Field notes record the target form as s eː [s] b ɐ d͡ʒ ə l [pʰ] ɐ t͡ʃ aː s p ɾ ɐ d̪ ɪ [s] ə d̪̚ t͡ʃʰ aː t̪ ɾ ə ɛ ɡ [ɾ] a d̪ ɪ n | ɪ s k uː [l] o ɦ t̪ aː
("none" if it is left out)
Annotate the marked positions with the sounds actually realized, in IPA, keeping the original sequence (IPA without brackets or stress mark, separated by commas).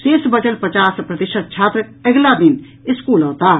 s, p, ʃ, l, l